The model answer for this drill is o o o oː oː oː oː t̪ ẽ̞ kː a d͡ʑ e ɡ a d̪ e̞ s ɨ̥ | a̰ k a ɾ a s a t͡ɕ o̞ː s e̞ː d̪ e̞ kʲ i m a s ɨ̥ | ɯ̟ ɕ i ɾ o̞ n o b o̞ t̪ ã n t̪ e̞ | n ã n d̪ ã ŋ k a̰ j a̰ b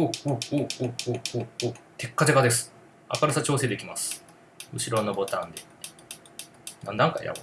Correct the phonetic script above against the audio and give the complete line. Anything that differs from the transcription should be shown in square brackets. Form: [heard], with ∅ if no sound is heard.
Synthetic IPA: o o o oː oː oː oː t̪ [e̞] kː a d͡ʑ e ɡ a d̪ e̞ s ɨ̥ | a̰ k a ɾ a s a t͡ɕ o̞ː s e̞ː d̪ e̞ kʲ i m a s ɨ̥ | ɯ̟ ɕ i ɾ o̞ n o b o̞ t̪ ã n [d̪] e̞ | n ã n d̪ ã ŋ k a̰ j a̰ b